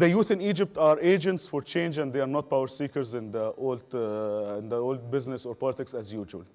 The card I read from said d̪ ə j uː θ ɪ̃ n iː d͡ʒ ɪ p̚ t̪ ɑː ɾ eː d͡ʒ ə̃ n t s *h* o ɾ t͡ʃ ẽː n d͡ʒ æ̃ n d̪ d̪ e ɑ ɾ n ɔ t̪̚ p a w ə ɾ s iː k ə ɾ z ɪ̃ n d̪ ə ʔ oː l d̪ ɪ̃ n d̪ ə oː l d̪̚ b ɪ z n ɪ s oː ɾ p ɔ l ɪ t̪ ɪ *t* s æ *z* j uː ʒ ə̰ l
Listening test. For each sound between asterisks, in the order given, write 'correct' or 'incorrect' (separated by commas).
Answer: incorrect, incorrect, correct